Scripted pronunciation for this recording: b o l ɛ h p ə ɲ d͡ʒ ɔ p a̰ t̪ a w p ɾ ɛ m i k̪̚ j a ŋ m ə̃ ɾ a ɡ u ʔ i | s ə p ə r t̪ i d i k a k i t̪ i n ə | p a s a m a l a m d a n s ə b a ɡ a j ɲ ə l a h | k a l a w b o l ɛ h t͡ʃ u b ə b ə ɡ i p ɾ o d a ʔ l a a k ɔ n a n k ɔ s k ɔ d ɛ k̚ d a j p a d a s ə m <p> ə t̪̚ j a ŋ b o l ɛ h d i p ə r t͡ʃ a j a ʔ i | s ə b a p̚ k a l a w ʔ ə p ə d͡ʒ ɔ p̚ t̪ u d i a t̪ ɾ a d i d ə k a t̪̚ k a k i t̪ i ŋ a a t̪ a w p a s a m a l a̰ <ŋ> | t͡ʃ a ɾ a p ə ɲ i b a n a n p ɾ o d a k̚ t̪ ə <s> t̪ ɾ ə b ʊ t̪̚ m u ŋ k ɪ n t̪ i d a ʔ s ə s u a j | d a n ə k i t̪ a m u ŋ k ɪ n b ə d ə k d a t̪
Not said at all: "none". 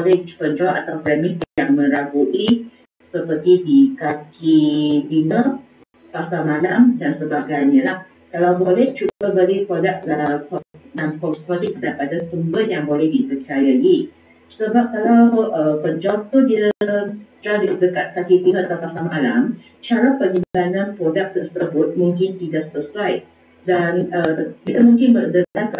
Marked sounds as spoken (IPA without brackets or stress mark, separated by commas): b, m, s